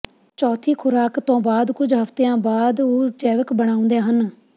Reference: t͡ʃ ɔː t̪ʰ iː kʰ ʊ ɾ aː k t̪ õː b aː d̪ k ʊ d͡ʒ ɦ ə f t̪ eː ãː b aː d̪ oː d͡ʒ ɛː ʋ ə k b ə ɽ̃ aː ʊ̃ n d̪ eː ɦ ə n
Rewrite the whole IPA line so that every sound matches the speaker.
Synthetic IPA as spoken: t͡ʃ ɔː t̪ʰ iː kʰ ʊ ɾ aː k t̪ õː b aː d̪ k ʊ d͡ʒ ɦ ə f t̪ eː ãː b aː d̪ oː d͡ʒ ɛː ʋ ə k b ə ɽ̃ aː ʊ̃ n d̪ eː ɦ ə n

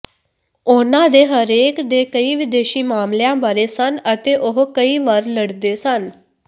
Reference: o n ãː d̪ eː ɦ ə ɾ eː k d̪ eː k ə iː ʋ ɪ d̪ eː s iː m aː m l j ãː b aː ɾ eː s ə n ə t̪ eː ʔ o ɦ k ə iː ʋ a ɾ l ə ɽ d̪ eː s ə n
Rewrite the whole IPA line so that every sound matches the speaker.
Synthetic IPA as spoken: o n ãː d̪ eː ɦ ə ɾ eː k d̪ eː k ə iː ʋ ɪ d̪ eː ʃ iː m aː m l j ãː b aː ɾ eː s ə n ə t̪ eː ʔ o ɦ k ə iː ʋ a ɾ l ə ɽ d̪ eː s ə n

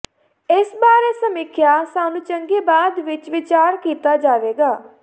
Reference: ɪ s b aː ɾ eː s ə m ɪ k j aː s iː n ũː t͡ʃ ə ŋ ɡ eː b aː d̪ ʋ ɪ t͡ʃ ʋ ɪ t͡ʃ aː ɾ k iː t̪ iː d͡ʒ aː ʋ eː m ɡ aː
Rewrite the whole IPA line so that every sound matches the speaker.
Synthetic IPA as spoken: ɪ s b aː ɾ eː s ə m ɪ kʰ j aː s aː n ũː t͡ʃ ə ŋ ɡ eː b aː d̪ ʋ ɪ t͡ʃ ʋ ɪ t͡ʃ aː ɾ k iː t̪ aː d͡ʒ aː ʋ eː ɡ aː

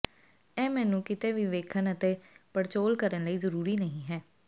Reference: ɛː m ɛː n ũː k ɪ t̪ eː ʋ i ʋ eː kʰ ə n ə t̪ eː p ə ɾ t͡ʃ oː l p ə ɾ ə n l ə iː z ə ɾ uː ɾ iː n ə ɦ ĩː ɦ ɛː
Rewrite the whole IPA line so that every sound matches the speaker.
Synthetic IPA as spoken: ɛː m ɛː n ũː k ɪ t̪ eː ʋ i ʋ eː kʰ ə n ə t̪ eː p ə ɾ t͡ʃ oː l k ə ɾ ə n l ə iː z ə ɾ uː ɾ iː n ə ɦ ĩː ɦ ɛː

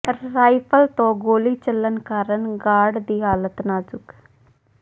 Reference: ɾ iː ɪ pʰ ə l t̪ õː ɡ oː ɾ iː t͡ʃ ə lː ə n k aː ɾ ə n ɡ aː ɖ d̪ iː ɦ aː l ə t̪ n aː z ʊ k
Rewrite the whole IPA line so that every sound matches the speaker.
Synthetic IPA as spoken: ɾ aː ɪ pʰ ə l t̪ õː ɡ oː l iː t͡ʃ ə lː ə n k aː ɾ ə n ɡ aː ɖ d̪ iː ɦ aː l ə t̪ n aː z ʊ k

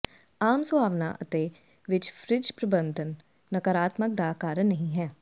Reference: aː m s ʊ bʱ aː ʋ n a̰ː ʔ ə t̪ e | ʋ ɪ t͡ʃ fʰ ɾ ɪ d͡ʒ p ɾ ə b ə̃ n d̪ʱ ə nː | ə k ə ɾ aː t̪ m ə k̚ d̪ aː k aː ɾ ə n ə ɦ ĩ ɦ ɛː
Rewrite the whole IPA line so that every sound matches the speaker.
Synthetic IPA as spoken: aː m s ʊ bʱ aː ʋ n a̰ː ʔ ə t̪ e | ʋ ɪ t͡ʃ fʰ ɾ ɪ d͡ʒ p ɾ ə b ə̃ n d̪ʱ ə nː | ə k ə ɾ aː t̪ m ə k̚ d̪ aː k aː ɾ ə n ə ɦ ĩ ɦ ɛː

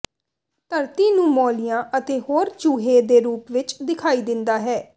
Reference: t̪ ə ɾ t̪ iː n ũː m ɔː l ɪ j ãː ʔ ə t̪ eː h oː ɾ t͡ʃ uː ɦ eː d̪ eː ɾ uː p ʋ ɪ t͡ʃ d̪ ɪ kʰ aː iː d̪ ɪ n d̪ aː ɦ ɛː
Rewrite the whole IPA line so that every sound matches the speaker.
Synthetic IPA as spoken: t̪ ə ɾ t̪ iː n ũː m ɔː l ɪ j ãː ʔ ə t̪ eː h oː ɾ t͡ʃ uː ɦ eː d̪ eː ɾ uː p ʋ ɪ t͡ʃ d̪ ɪ kʰ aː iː d̪ ɪ n d̪ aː ɦ ɛː

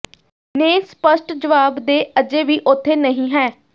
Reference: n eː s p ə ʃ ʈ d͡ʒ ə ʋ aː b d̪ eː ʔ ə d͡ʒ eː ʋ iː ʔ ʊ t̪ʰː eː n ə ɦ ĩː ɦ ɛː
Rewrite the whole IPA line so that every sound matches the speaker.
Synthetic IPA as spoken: n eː s p ə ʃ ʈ d͡ʒ ə ʋ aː b d̪ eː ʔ ə d͡ʒ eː ʋ iː ʔ ʊ t̪ʰː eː n ə ɦ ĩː ɦ ɛː

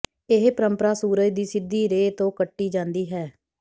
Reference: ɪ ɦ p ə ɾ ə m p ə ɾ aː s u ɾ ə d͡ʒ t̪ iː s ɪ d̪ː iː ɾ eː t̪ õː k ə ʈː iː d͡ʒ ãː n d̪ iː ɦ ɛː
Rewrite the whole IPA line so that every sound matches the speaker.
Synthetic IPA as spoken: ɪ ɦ p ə ɾ ə m p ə ɾ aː s uː ɾ ə d͡ʒ d̪ iː s ɪ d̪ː iː ɾ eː t̪ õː k ə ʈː iː d͡ʒ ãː n d̪ iː ɦ ɛː

